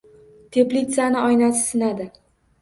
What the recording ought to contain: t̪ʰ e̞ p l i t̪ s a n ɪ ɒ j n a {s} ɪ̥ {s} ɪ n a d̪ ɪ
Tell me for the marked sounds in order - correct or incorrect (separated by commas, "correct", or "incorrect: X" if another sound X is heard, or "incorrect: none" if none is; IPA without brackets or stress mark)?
correct, correct